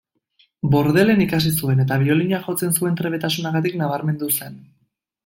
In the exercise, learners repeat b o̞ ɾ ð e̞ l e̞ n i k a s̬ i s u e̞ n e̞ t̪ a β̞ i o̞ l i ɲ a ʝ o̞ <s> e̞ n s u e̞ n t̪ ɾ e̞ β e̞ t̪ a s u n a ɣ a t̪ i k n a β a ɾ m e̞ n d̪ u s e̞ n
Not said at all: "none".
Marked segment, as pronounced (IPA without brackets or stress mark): t͡s